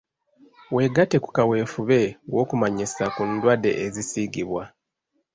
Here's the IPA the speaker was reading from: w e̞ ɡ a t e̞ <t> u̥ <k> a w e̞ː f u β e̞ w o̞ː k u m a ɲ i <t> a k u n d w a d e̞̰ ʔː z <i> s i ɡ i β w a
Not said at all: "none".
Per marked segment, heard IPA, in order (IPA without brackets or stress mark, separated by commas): k, k, s, i